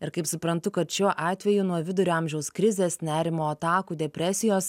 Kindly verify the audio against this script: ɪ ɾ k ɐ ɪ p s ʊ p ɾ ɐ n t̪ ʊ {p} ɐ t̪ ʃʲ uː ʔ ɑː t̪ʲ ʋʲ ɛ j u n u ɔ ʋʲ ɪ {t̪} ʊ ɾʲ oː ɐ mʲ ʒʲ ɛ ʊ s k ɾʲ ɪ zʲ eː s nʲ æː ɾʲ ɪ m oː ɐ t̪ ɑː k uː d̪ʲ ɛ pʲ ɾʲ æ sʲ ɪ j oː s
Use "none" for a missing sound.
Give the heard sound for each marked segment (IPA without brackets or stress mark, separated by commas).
k, d̪